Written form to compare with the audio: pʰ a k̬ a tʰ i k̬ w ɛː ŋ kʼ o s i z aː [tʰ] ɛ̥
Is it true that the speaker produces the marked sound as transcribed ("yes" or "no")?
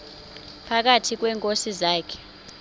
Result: no